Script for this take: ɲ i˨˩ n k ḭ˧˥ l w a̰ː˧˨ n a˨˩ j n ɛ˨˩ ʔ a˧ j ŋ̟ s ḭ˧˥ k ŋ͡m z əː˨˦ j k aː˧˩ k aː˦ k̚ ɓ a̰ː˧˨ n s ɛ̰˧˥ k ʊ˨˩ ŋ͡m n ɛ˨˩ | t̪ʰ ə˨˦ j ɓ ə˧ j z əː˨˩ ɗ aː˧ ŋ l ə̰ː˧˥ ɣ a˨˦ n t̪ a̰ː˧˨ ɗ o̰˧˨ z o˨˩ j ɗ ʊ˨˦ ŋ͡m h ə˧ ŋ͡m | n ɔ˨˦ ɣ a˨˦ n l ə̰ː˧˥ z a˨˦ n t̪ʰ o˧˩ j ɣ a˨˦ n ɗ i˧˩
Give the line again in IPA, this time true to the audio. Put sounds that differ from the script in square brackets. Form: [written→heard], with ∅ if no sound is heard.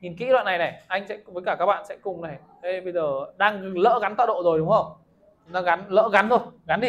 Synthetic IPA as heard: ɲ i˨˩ n k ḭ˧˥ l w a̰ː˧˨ n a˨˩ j n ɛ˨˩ ʔ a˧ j ŋ̟ s [ḭ˧˥→ɛ̰˧˥] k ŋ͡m [z→v] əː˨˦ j k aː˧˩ k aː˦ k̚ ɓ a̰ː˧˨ n s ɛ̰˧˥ k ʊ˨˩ ŋ͡m n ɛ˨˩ | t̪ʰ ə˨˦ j ɓ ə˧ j z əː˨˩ ɗ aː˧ ŋ l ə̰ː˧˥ ɣ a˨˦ n t̪ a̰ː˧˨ ɗ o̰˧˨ z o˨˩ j ɗ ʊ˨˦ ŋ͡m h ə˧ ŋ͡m | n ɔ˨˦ ɣ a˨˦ n l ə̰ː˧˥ [z→ɣ] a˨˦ n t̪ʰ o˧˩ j ɣ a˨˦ n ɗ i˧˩